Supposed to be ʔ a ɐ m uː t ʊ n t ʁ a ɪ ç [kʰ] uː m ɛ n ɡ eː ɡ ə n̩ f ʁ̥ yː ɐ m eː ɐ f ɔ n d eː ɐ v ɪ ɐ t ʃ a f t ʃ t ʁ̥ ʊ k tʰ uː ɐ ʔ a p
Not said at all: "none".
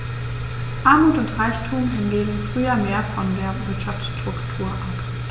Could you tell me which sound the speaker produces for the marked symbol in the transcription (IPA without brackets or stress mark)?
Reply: tʰ